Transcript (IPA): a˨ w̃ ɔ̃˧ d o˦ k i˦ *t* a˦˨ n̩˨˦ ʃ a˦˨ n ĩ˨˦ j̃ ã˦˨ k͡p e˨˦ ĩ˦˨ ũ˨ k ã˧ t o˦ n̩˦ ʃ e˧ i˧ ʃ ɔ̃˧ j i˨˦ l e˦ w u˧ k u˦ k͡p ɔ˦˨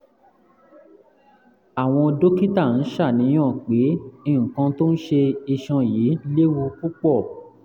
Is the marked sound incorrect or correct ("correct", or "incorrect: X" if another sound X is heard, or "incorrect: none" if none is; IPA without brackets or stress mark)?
correct